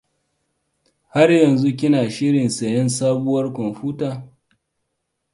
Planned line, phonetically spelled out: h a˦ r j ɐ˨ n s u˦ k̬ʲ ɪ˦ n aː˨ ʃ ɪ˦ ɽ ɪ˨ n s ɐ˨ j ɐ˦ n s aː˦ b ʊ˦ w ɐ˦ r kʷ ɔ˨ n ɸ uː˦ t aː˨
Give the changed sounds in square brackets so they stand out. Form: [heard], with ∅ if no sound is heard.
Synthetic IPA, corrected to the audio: h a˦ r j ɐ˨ n [z] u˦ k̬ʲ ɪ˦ n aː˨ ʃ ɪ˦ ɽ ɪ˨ n s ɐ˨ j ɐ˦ n s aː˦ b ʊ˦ w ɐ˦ r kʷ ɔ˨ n ɸ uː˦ t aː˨